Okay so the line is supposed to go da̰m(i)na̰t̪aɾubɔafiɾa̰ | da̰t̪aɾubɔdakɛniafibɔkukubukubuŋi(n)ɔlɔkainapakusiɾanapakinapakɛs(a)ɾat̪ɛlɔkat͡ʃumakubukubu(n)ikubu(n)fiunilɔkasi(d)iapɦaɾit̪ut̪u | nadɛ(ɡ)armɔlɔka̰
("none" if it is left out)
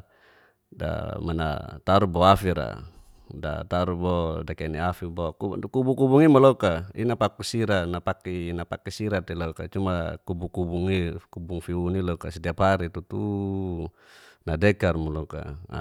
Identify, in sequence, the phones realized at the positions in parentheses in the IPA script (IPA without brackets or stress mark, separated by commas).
a, m, i, ŋ, ŋ, d, k